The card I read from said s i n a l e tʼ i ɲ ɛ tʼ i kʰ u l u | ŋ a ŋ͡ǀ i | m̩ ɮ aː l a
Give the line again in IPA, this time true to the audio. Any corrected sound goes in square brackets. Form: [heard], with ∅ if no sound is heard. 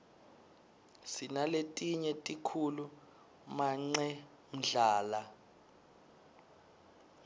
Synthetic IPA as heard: s i n a l e tʼ i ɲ ɛ tʼ i kʰ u l u | [m] a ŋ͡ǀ [ɛ] | m̩ ɮ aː l a